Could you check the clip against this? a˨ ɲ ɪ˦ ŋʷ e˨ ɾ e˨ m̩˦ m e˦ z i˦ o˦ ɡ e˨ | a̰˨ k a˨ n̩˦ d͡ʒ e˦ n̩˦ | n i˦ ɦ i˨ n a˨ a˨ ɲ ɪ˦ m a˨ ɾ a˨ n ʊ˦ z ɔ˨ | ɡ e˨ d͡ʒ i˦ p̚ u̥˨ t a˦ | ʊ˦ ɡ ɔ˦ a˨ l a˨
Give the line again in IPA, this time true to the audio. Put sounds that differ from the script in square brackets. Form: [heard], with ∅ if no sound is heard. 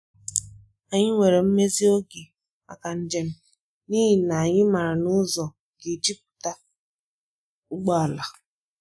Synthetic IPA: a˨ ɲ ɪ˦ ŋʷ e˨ ɾ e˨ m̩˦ m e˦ z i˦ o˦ ɡ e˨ | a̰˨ k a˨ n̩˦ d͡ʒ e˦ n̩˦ | n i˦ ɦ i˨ n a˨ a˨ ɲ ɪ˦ m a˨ ɾ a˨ n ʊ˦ z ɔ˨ | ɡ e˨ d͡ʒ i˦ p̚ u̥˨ t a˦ | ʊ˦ [ɡ͡b] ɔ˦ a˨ l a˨